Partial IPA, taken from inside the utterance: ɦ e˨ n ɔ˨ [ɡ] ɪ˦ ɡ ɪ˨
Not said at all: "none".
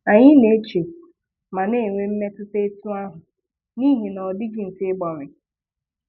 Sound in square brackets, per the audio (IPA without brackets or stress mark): d